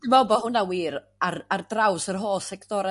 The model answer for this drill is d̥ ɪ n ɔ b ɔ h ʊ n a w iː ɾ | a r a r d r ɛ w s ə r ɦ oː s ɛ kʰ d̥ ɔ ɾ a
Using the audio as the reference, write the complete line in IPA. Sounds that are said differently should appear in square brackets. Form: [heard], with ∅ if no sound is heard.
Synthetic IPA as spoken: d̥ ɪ [m] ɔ b ɔ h ʊ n a w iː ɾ | a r a r d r [a] w s ə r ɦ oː s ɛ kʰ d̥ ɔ ɾ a